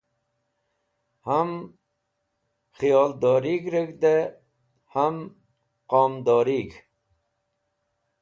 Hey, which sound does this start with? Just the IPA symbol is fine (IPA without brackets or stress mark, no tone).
h